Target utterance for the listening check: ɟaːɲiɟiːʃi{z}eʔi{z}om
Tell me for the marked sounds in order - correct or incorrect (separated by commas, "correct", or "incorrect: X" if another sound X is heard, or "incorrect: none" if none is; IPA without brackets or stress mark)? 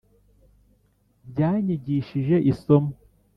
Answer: incorrect: ʒ, incorrect: s